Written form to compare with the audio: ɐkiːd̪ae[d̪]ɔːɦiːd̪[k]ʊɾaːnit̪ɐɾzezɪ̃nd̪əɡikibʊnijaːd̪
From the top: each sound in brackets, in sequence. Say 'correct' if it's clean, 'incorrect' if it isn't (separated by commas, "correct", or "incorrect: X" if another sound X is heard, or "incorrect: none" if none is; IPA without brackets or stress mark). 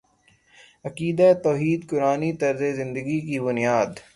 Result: incorrect: t̪, correct